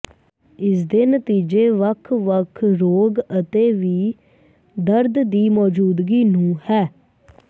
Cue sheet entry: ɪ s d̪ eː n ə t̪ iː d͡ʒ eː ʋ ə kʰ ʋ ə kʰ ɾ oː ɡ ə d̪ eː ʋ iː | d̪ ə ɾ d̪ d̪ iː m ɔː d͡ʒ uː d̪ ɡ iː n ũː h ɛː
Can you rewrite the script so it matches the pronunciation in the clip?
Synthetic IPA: ɪ s d̪ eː n ə t̪ iː d͡ʒ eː ʋ ə kʰ ʋ ə kʰ ɾ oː ɡ ə t̪ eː ʋ iː | d̪ ə ɾ d̪ d̪ iː m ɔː d͡ʒ uː d̪ ɡ iː n ũː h ɛː